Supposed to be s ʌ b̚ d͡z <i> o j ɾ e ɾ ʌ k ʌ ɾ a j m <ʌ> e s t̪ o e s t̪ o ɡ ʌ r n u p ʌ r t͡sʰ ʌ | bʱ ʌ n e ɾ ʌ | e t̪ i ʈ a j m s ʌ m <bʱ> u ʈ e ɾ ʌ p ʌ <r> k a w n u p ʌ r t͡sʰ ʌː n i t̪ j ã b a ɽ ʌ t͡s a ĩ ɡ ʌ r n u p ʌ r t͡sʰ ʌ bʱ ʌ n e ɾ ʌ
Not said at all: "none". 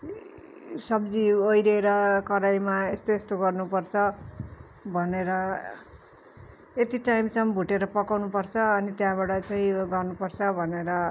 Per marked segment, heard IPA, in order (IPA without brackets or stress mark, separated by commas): i, a, bʱ, none